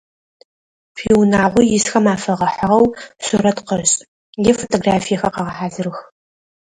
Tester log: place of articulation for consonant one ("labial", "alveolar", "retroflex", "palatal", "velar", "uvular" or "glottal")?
labial